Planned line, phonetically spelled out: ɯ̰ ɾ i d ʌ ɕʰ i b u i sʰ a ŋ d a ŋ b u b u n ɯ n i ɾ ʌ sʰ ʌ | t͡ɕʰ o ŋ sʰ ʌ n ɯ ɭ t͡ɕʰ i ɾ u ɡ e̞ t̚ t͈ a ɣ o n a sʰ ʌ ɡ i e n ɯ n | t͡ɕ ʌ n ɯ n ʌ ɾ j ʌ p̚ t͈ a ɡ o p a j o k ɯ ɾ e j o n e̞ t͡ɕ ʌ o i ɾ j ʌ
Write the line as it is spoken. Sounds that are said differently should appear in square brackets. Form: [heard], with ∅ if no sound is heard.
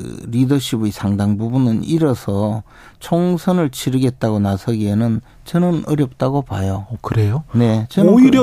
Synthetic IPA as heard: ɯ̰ ɾ i d ʌ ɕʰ i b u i sʰ a ŋ d a ŋ b u b u n ɯ n i ɾ ʌ sʰ ʌ | t͡ɕʰ o ŋ sʰ ʌ n ɯ ɭ t͡ɕʰ i ɾ [ɯ] ɡ e̞ t̚ t͈ a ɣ o n a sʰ ʌ ɡ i e n ɯ n | t͡ɕ ʌ n ɯ n ʌ ɾ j ʌ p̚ t͈ a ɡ o p a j o k ɯ ɾ e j o n e̞ t͡ɕ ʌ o i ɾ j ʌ